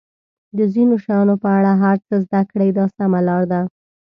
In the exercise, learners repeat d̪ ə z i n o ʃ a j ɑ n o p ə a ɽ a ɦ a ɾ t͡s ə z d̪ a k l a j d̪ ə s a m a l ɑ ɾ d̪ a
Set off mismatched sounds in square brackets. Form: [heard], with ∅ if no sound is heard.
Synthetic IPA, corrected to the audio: d̪ ə z i n o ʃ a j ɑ n o p ə a ɽ a ɦ a ɾ t͡s ə z d̪ a k [ɽ] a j d̪ [ɑ] s a m a l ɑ ɾ d̪ a